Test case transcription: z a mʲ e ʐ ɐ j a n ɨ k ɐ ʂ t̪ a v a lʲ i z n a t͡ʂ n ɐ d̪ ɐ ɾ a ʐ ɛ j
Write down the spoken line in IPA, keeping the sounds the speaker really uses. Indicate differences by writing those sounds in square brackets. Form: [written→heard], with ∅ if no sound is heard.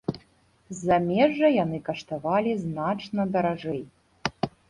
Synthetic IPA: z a mʲ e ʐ ɐ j a n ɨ k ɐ ʂ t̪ a v a lʲ i z n a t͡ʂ n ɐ d̪ ɐ ɾ a ʐ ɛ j